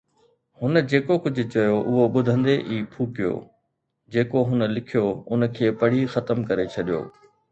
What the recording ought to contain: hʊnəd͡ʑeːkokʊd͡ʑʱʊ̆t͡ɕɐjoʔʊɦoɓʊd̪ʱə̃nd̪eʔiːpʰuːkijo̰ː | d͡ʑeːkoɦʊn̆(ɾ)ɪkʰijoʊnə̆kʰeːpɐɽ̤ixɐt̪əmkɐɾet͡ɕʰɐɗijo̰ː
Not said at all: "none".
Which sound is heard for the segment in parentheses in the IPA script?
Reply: l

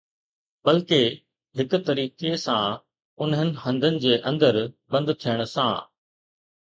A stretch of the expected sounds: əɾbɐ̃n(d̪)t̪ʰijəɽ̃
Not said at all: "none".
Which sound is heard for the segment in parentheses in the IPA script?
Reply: d̪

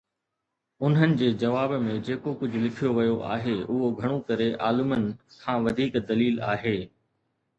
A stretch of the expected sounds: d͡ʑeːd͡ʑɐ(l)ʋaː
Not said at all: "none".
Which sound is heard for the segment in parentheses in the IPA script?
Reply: none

